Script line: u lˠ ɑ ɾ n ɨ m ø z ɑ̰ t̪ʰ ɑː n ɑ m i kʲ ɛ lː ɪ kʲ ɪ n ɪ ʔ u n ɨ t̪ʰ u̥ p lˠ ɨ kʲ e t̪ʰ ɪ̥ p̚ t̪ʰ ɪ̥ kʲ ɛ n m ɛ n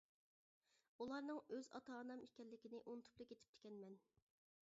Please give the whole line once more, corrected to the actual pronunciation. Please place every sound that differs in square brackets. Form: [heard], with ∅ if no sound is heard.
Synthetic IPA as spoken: u lˠ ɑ ɾ n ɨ [ŋ] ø z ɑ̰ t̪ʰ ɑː n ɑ m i kʲ ɛ lː ɪ kʲ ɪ n ɪ ʔ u n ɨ t̪ʰ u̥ p lˠ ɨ kʲ e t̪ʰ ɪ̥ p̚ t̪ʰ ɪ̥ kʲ ɛ n m ɛ n